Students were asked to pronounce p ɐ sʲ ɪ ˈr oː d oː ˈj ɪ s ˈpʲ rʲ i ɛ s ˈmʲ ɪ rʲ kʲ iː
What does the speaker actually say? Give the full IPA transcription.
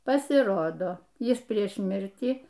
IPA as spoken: p ɐ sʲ ɪ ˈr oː d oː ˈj ɪ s ˈpʲ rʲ i ɛ ʃ ˈmʲ ɪ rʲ tʲ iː